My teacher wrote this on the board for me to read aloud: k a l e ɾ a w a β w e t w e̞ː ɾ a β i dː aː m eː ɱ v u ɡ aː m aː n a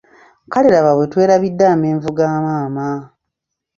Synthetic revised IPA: k a l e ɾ a β a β w e t w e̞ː ɾ a β i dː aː m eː ɱ v u ɡ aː m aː m a